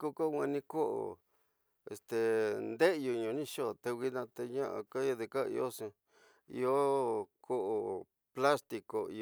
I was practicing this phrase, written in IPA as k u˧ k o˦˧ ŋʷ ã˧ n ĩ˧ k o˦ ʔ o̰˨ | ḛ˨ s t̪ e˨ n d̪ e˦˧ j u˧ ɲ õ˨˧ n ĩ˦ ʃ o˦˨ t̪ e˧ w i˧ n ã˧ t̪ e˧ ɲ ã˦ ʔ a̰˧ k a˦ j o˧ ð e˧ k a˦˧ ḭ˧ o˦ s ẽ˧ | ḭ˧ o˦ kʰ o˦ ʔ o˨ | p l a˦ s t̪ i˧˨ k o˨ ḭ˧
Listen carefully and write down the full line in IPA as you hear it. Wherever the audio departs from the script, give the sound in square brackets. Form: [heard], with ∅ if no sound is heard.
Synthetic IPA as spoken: k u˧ k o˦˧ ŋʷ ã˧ n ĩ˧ k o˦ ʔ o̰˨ | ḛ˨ s t̪ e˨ n d̪ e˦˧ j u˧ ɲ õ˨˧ n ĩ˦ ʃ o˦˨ t̪ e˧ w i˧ n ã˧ t̪ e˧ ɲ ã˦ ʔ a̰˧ k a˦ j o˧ ð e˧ k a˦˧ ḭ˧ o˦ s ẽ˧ | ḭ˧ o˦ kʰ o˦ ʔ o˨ | p l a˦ s t̪ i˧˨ k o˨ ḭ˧

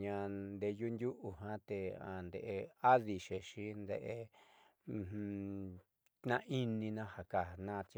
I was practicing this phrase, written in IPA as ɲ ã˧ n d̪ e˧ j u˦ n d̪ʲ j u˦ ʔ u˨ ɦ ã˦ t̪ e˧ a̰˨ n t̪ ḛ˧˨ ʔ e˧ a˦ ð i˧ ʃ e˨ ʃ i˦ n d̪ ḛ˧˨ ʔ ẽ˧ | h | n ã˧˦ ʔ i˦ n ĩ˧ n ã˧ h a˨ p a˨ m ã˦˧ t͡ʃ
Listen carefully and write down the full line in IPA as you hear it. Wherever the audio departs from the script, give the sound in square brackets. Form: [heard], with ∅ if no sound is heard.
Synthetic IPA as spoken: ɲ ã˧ n d̪ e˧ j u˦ n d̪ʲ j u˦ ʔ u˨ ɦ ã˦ t̪ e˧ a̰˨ n [d̪] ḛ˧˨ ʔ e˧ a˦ ð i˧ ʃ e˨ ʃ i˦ n d̪ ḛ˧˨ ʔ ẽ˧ | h | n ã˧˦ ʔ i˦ n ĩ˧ n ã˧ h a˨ [k] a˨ [n] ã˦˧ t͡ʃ

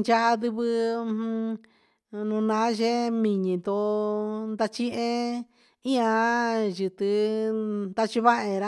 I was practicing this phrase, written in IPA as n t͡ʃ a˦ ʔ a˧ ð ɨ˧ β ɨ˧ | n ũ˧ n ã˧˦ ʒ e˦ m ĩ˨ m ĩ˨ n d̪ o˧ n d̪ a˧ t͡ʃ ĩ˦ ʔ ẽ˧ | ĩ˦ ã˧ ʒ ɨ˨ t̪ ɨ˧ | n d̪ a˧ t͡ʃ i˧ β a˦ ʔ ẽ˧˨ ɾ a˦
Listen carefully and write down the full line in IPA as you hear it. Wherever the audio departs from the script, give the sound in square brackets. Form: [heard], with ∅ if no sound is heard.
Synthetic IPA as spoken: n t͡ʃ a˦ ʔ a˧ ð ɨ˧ β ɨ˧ | n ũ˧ n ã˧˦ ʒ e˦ m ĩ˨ [ɲ] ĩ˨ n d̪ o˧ n d̪ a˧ t͡ʃ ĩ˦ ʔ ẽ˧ | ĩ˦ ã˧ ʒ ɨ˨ t̪ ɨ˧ | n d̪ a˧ t͡ʃ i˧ β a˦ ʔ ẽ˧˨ ɾ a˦

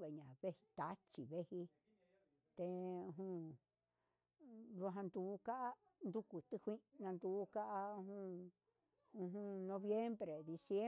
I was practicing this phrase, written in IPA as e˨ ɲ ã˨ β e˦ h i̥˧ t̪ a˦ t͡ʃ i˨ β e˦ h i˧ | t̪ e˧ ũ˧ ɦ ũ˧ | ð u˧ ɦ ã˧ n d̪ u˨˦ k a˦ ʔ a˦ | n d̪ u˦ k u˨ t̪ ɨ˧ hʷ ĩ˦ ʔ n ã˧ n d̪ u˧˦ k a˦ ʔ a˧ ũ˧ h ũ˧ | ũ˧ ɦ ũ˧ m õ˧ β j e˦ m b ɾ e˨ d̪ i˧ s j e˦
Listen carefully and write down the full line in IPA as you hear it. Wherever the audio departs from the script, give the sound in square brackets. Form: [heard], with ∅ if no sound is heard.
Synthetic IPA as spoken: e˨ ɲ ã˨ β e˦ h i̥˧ t̪ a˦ t͡ʃ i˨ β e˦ h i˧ | t̪ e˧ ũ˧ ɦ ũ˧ | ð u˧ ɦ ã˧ n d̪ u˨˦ k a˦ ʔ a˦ | n d̪ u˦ k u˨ t̪ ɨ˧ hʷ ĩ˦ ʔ n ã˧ n d̪ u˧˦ k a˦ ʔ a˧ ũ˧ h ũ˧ | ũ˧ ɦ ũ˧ [n] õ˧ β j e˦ m b ɾ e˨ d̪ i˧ s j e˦

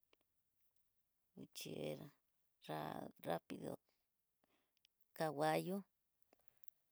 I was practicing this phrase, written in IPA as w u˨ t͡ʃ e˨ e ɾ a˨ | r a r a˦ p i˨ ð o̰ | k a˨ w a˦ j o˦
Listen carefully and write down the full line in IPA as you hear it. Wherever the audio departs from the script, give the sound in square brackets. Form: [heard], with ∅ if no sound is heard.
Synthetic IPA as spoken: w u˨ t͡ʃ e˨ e ɾ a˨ | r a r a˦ p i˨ ð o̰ | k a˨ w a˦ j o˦

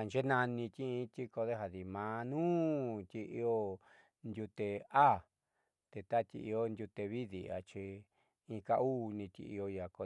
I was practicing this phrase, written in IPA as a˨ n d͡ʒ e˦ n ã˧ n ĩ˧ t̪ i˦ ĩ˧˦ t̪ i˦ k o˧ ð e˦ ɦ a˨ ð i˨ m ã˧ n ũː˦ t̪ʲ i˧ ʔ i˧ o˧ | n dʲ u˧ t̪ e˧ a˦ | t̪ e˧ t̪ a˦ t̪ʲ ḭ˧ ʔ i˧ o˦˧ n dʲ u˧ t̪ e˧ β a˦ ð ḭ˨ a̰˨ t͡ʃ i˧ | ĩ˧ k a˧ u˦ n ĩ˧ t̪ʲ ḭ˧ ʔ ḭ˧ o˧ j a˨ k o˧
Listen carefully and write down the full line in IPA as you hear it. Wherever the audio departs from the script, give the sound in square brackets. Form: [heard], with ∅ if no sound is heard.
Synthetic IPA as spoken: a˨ n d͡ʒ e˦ n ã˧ n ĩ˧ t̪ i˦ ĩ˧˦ t̪ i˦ k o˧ ð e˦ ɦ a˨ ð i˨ m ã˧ n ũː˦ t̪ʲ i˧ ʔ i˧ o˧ | n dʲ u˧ t̪ e˧ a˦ | t̪ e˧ t̪ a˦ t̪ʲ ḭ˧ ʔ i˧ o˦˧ n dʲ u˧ t̪ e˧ β [i˦] ð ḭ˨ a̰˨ t͡ʃ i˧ | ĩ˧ k a˧ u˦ n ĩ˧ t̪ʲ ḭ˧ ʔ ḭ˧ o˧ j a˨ k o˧

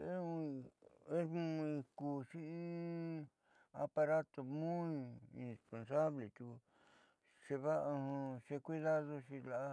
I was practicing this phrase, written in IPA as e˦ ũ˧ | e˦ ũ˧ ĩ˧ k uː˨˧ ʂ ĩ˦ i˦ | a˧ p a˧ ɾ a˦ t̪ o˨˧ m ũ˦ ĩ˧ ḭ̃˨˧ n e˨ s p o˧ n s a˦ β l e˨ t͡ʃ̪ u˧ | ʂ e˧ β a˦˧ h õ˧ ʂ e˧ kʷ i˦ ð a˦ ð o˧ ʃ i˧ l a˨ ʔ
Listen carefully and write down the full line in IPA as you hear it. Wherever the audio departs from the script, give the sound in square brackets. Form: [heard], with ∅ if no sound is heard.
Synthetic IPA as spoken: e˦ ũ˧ | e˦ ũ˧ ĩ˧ k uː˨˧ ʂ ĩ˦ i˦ | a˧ p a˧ ɾ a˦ t̪ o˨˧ m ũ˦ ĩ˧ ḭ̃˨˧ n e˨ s p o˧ n s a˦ β l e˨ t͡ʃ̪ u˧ | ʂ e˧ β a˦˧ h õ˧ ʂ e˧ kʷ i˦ ð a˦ ð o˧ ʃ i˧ l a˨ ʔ

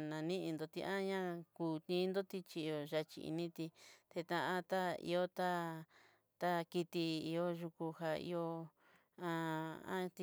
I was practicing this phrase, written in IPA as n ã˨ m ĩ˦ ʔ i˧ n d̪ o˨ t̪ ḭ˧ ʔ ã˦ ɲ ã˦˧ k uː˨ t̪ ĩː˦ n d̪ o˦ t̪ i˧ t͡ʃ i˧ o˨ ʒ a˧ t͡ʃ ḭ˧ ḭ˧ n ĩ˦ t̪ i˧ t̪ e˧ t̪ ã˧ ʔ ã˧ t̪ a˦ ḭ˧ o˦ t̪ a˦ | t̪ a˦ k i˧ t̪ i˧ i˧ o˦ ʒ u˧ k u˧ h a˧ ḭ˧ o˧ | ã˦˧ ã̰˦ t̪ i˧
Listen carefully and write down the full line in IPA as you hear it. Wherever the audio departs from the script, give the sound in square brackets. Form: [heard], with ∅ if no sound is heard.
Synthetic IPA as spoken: n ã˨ [n] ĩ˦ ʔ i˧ n d̪ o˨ t̪ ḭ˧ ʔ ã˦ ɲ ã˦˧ k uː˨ t̪ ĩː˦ n d̪ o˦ t̪ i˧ t͡ʃ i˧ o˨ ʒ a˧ t͡ʃ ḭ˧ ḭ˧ n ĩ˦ t̪ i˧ t̪ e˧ t̪ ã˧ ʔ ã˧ t̪ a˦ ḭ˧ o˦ t̪ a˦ | t̪ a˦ k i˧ t̪ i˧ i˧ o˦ ʒ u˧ k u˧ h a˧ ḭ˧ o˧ | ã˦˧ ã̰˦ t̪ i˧

